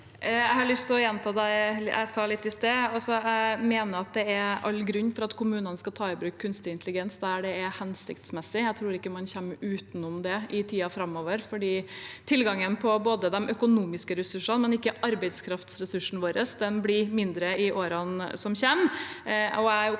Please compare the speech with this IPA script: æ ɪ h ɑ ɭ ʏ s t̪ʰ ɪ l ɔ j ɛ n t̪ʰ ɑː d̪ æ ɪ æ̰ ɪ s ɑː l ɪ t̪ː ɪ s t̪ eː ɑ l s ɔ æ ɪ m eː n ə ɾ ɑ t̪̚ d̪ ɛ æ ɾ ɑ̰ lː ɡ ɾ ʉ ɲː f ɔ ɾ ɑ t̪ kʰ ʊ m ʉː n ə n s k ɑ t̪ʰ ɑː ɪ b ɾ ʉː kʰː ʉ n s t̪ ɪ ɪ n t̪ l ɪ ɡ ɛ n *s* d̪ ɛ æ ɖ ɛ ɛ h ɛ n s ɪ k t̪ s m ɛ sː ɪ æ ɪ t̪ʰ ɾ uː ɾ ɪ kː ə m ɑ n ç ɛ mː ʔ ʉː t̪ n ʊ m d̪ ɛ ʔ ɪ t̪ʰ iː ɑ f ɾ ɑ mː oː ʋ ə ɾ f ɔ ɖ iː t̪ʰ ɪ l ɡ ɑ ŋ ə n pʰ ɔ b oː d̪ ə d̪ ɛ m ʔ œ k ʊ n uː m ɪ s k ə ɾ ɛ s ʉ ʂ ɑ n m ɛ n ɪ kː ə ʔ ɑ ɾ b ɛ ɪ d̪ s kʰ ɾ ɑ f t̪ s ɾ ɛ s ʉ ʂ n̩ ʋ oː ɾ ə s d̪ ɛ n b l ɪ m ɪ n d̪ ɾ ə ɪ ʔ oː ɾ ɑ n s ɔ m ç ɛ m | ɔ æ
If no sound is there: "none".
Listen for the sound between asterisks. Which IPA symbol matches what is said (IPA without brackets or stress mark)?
s